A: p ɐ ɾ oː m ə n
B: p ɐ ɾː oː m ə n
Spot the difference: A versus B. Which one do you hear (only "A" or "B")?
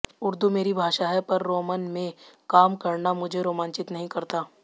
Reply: B